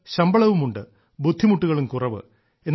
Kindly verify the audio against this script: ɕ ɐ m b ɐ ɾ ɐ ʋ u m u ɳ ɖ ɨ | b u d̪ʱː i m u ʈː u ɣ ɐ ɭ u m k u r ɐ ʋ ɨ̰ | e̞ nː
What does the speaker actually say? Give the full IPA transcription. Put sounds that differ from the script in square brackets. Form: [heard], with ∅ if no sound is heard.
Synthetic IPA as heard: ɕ ɐ m b ɐ [ɭ] ɐ ʋ u m u ɳ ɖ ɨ | b u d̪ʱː i m u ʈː u ɣ ɐ ɭ u m k u r ɐ ʋ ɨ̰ | e̞ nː